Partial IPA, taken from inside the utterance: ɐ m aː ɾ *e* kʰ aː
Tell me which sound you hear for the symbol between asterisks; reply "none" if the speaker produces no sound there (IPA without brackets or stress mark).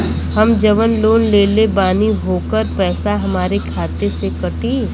e